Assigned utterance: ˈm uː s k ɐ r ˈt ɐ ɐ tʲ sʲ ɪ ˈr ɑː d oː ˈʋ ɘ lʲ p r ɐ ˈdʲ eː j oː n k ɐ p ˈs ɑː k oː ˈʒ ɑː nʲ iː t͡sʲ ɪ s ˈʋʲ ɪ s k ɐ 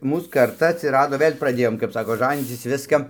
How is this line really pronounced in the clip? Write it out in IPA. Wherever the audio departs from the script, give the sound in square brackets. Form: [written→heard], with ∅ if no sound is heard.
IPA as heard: ˈm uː s k ɐ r ˈt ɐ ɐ tʲ sʲ ɪ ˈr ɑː d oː ˈʋ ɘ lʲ p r ɐ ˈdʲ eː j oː [n→m] k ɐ p ˈs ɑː k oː ˈʒ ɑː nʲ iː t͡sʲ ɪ s ˈʋʲ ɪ s k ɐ